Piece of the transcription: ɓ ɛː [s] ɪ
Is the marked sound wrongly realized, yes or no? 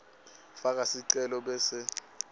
no